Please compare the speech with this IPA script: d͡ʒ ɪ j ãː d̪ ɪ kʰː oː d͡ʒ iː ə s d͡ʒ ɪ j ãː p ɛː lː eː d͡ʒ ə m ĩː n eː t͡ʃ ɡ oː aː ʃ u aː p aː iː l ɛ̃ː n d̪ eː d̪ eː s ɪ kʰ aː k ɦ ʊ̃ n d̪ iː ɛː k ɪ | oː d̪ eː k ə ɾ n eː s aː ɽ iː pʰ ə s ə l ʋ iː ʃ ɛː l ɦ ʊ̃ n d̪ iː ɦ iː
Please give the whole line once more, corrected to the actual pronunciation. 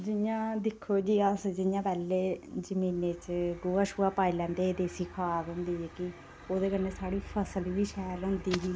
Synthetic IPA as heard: d͡ʒ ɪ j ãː d̪ ɪ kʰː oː d͡ʒ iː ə s d͡ʒ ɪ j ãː p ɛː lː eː d͡ʒ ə m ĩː n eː t͡ʃ ɡ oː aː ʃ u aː p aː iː l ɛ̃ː n d̪ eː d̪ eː s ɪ kʰ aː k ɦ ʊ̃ n d̪ iː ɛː k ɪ | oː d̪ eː k ə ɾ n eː s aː ɽ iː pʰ ə s ə l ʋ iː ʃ ɛː l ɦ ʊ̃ n d̪ iː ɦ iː